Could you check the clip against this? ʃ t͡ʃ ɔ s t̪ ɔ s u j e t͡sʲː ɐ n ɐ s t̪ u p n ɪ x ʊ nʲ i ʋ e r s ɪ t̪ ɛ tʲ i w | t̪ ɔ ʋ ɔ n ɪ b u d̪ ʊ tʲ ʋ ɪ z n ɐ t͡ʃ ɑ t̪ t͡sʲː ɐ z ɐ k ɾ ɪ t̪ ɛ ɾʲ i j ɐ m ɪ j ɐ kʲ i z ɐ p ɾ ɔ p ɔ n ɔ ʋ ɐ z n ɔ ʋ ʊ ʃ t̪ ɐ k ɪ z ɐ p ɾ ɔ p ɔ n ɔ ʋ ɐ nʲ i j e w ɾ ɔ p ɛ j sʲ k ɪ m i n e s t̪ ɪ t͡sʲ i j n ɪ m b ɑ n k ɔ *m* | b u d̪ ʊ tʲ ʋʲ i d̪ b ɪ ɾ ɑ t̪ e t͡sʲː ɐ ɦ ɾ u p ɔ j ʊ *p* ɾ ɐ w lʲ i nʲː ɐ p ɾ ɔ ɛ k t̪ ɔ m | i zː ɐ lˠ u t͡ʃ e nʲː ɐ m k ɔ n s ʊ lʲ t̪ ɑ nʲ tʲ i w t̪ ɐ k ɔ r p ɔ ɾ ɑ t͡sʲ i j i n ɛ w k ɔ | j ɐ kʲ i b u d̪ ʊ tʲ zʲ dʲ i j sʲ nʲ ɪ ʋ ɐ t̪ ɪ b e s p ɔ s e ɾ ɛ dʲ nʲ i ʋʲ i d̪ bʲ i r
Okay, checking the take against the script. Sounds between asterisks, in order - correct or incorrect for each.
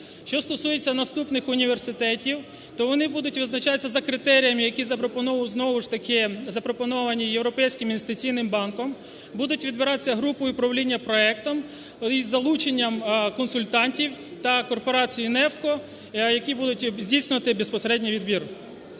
correct, correct

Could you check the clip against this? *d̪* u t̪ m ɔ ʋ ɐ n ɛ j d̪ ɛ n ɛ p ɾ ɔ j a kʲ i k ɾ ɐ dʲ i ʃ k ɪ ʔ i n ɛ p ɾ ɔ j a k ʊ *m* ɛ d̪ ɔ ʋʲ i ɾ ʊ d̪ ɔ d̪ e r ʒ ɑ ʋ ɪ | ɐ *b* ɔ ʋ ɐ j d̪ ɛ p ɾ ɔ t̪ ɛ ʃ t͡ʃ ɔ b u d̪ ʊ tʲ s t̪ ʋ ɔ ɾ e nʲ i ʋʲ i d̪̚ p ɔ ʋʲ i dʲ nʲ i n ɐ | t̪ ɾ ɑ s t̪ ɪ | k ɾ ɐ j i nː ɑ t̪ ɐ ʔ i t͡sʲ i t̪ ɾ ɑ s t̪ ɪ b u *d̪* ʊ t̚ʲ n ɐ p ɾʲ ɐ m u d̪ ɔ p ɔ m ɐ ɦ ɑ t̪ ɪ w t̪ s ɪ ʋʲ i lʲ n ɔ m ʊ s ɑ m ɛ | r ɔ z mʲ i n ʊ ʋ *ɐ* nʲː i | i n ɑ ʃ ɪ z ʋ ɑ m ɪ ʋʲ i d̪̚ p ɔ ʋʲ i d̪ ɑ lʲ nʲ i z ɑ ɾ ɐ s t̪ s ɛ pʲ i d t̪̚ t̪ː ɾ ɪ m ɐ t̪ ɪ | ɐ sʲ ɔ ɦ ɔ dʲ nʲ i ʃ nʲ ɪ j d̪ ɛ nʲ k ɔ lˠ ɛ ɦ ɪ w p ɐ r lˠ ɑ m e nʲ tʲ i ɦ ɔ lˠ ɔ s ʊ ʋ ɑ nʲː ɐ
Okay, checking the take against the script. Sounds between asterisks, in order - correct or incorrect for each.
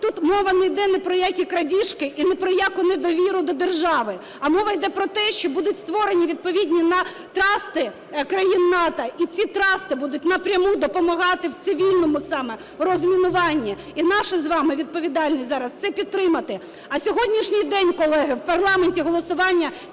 incorrect, incorrect, incorrect, correct, incorrect

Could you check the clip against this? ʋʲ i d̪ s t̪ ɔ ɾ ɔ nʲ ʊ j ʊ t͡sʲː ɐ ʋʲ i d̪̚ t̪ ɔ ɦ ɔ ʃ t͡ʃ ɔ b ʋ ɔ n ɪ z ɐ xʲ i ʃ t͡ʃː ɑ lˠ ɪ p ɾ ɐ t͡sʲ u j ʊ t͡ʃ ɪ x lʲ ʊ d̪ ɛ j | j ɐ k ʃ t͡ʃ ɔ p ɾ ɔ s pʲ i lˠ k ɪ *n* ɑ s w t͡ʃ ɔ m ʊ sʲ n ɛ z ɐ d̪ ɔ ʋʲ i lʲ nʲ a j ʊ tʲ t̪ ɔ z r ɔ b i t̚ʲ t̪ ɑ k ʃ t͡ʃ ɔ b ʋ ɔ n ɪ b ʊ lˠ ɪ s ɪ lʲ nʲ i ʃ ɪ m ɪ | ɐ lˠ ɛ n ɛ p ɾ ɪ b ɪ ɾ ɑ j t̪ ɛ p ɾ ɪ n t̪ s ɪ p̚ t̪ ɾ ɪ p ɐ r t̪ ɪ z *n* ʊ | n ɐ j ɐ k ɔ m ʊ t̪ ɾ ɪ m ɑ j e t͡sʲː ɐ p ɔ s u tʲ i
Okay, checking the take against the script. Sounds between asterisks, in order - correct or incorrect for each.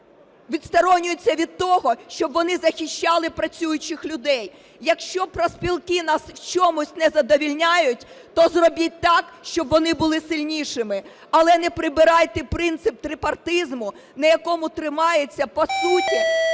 correct, incorrect

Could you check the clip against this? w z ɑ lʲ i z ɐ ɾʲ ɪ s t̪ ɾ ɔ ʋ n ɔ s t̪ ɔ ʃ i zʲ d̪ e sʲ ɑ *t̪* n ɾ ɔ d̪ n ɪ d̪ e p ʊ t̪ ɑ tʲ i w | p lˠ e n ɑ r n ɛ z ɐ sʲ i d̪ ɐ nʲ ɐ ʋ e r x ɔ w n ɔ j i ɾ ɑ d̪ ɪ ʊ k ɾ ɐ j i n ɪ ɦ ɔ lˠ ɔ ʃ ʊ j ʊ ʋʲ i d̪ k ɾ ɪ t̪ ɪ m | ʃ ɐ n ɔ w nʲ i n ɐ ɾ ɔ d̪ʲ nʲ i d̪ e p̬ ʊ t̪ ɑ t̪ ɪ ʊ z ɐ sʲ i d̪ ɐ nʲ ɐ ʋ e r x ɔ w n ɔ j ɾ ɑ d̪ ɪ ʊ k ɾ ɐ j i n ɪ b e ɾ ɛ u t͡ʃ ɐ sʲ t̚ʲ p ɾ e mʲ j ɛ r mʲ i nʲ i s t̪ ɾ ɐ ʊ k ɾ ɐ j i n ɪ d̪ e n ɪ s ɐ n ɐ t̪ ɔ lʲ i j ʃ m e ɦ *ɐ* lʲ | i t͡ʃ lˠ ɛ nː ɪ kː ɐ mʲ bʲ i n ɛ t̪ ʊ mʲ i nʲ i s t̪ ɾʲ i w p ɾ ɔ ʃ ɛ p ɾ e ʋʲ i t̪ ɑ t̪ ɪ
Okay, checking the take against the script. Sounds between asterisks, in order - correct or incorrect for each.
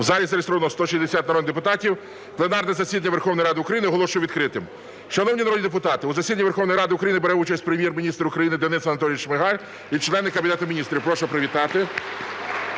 correct, incorrect

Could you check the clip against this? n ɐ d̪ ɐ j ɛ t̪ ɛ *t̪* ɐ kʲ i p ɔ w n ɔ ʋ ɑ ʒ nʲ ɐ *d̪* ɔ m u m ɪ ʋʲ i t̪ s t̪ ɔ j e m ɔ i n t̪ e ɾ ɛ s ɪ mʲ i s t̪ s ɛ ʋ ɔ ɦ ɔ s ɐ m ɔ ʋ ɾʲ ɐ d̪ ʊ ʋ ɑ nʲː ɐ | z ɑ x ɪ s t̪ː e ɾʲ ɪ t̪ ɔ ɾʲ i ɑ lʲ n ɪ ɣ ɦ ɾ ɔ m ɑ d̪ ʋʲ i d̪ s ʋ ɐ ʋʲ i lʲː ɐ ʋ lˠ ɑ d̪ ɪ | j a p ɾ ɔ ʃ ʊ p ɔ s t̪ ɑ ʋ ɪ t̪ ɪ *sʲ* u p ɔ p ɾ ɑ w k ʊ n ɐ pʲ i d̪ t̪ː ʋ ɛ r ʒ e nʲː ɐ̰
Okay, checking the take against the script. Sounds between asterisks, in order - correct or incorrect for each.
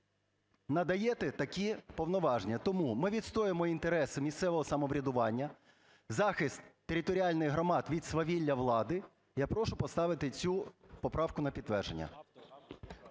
correct, incorrect, incorrect

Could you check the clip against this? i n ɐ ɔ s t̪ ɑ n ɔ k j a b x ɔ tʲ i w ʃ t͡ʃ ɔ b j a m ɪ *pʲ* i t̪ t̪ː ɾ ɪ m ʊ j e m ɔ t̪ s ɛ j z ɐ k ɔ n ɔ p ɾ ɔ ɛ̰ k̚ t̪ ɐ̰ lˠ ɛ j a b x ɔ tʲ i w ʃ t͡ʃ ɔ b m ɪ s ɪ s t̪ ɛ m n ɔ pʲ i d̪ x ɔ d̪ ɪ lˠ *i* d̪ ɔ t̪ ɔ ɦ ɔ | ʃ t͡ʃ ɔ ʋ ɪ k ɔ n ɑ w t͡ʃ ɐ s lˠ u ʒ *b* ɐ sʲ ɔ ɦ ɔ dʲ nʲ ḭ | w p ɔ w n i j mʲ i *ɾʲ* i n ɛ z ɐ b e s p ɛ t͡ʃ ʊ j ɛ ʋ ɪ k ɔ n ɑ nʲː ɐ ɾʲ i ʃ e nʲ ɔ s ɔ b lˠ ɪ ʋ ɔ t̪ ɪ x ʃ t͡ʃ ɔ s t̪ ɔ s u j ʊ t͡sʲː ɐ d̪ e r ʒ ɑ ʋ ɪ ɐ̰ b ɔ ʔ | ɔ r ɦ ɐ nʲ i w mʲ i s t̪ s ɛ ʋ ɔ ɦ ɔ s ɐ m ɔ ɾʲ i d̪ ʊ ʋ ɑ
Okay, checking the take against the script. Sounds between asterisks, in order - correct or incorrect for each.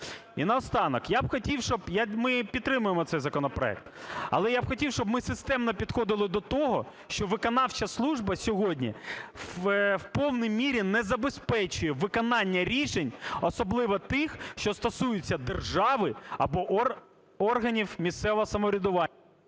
correct, incorrect, correct, correct

